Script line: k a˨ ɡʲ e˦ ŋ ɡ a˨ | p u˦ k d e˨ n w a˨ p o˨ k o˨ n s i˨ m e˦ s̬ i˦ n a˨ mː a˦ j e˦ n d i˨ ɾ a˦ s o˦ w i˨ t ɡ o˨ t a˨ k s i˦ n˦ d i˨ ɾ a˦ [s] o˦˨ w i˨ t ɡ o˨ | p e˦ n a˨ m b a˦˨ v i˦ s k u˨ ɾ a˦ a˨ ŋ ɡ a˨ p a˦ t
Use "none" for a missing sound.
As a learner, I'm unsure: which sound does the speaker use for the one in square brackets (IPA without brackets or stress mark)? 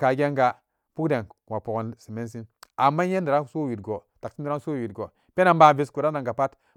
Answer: s